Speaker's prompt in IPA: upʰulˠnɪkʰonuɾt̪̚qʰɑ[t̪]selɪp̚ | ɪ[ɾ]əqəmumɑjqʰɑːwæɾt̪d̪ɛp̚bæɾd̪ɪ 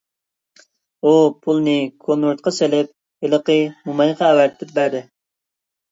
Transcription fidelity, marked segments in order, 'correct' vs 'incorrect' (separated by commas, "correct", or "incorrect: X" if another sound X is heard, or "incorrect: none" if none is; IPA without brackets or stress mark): incorrect: none, incorrect: l